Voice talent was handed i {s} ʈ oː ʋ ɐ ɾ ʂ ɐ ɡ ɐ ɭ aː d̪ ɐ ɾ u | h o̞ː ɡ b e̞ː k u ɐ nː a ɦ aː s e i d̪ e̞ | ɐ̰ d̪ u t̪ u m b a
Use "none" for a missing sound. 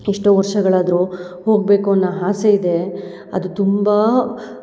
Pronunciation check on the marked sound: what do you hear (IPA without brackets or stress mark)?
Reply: ʂ